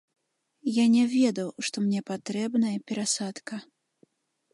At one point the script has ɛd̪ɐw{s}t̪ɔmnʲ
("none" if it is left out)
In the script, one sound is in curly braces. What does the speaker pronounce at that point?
ʂ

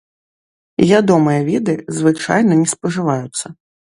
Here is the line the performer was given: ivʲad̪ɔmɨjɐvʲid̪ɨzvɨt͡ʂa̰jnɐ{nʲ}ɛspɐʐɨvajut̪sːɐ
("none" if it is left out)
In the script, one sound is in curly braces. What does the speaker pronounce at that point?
nʲ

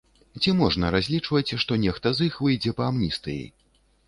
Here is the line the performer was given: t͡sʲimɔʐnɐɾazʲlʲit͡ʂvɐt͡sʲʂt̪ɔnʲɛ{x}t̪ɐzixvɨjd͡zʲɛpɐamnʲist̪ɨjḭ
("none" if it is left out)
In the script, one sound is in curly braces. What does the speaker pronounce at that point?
x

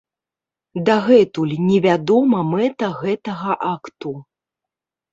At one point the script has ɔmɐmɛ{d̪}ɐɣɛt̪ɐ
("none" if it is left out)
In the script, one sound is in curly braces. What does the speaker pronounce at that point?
t̪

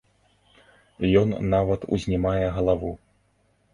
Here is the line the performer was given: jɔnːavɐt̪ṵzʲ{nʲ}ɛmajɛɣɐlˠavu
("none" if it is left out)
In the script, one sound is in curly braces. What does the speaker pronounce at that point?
nʲ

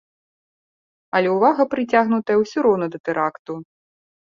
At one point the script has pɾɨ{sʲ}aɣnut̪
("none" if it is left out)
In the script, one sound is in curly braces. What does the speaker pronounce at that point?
t͡sʲ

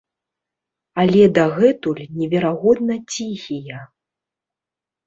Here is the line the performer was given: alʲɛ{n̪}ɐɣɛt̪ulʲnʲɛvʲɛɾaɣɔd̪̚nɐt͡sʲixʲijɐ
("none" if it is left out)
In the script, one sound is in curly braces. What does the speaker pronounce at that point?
d̪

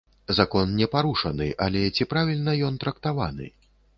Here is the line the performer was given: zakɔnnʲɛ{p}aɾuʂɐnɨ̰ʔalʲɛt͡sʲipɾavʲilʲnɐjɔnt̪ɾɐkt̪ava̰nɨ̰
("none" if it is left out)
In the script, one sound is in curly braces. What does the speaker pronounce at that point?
p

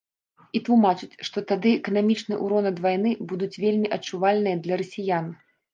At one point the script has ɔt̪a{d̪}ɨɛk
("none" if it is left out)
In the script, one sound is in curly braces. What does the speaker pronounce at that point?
d̪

